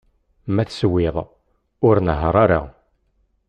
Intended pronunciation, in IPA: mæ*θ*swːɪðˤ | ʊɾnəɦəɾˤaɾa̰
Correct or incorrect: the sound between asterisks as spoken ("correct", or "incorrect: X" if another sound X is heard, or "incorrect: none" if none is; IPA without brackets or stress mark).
correct